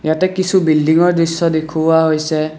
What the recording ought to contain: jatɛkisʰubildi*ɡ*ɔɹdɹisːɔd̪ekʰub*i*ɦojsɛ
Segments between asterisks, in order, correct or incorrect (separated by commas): incorrect, incorrect